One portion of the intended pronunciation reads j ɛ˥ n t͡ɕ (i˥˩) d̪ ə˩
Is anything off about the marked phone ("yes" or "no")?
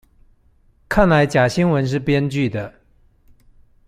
yes